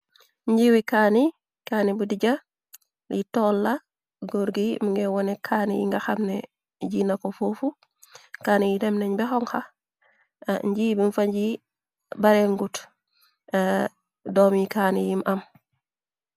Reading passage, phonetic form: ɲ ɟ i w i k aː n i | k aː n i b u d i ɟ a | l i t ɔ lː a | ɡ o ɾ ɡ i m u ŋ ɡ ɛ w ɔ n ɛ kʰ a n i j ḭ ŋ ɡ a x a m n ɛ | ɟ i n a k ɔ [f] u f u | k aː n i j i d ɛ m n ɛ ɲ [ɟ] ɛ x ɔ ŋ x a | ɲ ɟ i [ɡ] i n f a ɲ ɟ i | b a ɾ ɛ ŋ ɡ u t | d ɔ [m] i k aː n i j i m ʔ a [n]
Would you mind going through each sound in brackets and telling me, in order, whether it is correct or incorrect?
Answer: correct, incorrect: b, incorrect: b, correct, incorrect: m

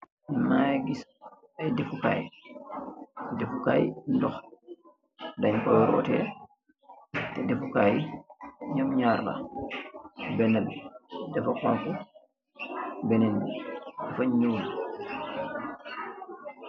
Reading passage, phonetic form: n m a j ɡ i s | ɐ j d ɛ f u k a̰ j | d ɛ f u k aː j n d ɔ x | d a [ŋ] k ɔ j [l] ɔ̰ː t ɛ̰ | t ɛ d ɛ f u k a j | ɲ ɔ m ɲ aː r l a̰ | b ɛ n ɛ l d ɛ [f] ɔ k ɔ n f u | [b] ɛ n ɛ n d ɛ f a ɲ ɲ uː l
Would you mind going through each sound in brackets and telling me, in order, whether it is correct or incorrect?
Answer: incorrect: ɲ, incorrect: ɾ, correct, correct

